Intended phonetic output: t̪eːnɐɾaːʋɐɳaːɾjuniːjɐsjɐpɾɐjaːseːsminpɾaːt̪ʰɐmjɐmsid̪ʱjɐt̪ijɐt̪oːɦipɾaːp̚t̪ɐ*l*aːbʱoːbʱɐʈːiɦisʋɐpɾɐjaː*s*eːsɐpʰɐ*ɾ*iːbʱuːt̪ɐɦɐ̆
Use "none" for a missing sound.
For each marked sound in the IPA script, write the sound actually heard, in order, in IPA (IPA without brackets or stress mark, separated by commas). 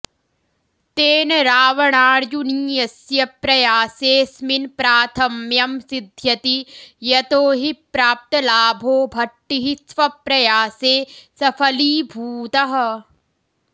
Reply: l, s, l